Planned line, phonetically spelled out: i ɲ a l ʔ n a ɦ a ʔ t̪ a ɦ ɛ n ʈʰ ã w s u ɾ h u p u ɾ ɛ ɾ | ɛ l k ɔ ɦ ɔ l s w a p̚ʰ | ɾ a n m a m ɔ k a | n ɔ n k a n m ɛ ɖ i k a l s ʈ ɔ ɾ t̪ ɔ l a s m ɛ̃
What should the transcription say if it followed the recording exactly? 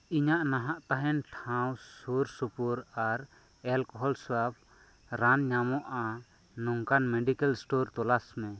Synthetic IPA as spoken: i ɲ a ʔ n a ɦ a ʔ t̪ a ɦ ɛ n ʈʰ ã w s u ɾ s u p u ɾ a ɾ | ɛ l k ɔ ɦ ɔ l s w a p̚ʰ | ɾ a n ɲ a m ɔ ʔ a | n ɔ ŋ k a n m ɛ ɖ i k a l s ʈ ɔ ɾ t̪ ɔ l a s m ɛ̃